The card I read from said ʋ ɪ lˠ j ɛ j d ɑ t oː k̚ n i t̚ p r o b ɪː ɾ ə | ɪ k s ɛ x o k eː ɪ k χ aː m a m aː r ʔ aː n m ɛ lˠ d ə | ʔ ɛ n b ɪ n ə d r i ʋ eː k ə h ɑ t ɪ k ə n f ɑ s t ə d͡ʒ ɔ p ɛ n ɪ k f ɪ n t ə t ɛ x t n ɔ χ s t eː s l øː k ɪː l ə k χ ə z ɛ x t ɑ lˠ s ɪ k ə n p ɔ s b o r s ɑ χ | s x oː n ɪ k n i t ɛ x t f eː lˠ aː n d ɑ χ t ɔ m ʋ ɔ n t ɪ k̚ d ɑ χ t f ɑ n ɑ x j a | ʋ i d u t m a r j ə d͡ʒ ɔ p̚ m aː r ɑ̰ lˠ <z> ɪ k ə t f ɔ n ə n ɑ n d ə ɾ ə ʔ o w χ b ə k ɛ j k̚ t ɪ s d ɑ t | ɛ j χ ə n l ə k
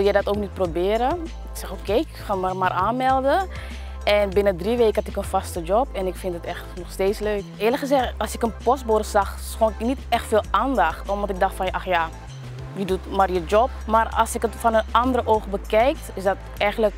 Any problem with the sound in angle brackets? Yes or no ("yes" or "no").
yes